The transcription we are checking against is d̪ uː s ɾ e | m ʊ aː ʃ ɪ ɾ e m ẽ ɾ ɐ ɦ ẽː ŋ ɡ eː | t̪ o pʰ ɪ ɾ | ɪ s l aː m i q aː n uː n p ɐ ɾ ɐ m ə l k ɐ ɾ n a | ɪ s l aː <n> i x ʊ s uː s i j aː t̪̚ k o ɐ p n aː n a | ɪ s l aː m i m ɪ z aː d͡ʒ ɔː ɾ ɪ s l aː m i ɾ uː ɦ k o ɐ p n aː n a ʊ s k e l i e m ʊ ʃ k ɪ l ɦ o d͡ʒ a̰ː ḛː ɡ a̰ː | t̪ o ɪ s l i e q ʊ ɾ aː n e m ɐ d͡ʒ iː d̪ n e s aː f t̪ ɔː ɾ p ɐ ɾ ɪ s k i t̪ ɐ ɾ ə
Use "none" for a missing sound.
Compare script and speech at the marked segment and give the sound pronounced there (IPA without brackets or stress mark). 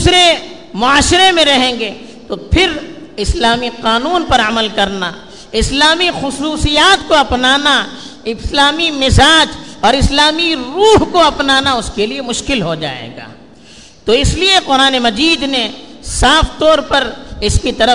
m